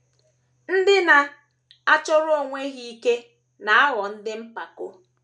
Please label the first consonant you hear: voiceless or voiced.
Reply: voiced